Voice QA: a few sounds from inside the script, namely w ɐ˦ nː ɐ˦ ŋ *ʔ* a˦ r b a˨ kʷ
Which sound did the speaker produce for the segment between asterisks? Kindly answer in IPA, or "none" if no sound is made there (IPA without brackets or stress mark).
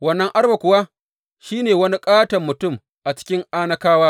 ʔ